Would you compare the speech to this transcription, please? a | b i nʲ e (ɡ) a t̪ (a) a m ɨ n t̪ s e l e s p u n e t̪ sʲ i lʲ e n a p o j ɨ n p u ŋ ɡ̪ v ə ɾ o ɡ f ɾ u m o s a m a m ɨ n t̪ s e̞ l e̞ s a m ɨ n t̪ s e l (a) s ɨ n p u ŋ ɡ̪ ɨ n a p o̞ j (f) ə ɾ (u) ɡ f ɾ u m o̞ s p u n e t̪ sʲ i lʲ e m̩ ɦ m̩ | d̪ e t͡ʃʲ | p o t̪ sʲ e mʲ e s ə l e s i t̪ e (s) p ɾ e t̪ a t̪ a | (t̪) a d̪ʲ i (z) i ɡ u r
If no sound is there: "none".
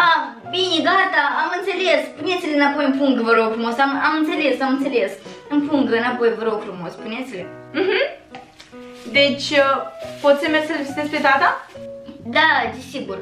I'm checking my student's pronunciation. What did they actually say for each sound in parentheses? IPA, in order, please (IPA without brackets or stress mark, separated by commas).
ɡ, a, e, v, o, s, d̪, s